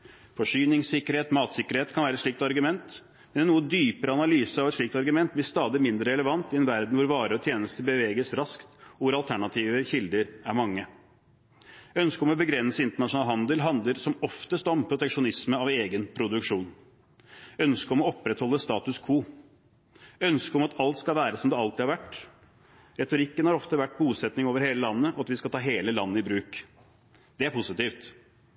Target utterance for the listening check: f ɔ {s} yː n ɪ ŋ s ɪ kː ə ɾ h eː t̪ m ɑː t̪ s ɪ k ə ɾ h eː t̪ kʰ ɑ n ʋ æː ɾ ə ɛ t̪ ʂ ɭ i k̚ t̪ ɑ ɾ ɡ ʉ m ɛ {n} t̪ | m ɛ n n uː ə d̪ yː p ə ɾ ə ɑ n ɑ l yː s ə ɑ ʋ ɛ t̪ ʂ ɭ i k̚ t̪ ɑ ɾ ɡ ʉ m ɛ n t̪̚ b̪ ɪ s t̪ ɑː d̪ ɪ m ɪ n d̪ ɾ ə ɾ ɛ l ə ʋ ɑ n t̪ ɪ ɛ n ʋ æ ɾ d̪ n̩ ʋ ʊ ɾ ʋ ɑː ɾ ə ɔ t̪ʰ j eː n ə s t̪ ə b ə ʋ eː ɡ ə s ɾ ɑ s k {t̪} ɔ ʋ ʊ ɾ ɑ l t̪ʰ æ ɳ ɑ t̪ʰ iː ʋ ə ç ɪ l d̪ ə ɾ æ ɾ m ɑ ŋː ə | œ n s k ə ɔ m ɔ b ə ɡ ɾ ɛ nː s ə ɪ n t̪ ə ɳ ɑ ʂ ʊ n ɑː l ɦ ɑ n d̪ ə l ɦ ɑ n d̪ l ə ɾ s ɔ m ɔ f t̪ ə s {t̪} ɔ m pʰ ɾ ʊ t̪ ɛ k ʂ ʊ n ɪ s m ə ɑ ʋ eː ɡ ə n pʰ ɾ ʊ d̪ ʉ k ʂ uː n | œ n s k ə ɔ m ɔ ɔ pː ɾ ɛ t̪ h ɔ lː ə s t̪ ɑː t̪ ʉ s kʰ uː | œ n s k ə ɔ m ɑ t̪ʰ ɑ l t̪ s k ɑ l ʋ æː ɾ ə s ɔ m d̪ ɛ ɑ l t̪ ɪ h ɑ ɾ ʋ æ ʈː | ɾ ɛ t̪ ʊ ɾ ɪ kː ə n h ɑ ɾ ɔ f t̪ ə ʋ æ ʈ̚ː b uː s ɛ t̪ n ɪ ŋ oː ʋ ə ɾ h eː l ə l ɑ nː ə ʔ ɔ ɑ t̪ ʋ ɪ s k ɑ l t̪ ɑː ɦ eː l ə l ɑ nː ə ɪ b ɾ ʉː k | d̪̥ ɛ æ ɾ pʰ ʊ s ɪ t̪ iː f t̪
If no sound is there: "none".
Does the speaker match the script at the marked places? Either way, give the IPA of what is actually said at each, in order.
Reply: ʂ, n, t̪, t̪

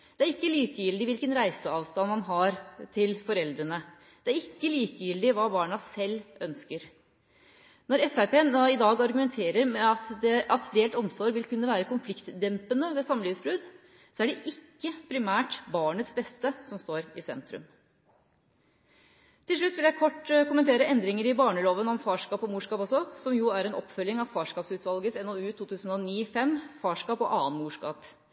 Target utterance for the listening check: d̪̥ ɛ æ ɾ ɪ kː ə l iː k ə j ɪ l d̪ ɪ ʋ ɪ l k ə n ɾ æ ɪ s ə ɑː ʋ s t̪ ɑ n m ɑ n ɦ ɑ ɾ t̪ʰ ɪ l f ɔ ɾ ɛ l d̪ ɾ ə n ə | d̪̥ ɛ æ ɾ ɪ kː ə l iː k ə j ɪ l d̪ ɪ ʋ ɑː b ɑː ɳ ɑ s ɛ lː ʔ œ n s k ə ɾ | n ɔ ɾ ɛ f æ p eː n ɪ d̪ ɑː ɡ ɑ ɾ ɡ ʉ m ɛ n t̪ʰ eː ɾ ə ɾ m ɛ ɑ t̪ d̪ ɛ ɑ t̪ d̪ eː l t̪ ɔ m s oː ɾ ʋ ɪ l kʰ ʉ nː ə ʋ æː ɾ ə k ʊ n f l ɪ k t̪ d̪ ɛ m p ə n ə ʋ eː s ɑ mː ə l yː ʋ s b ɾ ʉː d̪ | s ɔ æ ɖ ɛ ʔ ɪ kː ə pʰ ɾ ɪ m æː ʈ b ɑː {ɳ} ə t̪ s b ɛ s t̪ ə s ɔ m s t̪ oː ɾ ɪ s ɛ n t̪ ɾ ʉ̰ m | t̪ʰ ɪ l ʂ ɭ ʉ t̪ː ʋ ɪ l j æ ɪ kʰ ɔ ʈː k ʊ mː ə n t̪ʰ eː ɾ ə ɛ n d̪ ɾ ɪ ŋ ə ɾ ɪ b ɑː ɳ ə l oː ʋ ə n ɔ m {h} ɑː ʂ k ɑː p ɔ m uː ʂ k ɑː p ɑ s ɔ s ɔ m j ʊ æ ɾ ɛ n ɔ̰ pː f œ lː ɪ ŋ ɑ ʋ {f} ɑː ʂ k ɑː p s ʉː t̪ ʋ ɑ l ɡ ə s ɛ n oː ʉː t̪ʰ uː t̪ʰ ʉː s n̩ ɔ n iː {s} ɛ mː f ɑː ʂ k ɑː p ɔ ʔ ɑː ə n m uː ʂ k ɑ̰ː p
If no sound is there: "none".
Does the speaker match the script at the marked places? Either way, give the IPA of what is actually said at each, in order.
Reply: ɳ, f, f, f

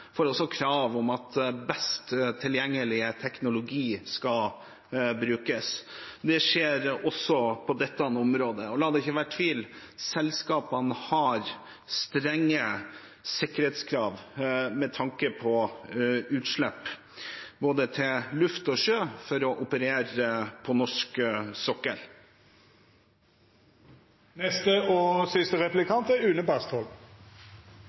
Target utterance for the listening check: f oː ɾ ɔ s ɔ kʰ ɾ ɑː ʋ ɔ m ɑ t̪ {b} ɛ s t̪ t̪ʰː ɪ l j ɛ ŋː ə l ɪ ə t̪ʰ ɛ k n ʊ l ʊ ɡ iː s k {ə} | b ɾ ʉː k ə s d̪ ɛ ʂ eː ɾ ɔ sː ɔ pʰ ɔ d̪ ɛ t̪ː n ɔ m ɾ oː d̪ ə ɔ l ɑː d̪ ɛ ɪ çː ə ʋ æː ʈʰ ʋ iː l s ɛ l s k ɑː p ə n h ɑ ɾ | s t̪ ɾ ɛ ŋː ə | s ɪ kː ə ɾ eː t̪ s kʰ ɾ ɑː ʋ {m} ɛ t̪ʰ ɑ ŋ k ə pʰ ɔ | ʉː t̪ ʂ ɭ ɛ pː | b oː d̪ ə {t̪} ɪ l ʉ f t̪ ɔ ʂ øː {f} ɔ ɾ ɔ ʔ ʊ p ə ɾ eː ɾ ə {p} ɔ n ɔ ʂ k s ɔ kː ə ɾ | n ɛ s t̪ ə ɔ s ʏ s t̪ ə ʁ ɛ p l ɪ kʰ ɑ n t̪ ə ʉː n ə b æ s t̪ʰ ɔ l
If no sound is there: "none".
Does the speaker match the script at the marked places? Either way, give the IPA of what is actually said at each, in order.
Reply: b, ɑ, m, t̪ʰ, f, pʰ

